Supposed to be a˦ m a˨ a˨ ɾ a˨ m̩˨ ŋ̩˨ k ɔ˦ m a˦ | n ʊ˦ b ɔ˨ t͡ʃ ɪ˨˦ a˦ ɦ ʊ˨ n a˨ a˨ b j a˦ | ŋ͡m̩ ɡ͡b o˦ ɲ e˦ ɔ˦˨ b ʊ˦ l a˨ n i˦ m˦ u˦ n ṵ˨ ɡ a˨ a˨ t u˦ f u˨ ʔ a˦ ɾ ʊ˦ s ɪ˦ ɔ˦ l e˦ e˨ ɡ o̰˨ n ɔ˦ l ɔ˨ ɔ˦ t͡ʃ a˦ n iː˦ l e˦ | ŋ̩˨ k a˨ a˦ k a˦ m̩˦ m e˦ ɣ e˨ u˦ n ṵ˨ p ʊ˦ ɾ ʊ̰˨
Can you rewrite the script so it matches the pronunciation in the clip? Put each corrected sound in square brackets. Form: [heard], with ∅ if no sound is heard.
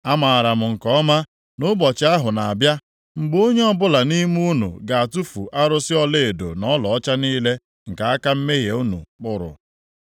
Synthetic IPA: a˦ m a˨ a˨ ɾ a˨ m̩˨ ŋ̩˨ k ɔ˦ m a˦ | n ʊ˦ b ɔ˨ t͡ʃ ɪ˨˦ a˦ ɦ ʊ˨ n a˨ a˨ b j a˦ | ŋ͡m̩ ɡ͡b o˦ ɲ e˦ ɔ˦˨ b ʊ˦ l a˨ n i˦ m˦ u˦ n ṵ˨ ɡ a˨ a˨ t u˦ f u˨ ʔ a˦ ɾ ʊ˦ s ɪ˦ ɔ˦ l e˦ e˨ [d] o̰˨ n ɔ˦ l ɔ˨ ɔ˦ t͡ʃ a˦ n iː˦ l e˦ | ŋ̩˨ k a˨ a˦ k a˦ m̩˦ m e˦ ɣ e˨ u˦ n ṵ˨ [k͡p] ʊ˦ ɾ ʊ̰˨